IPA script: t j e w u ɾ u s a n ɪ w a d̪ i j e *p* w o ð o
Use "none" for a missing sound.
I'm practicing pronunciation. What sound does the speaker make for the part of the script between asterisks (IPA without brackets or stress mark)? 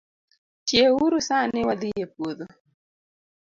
p